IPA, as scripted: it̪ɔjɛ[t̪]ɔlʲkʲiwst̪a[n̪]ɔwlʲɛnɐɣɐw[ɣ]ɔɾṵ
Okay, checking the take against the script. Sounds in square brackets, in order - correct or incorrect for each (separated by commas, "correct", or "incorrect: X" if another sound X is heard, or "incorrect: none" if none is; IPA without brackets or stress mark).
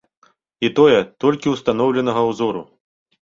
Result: correct, correct, incorrect: z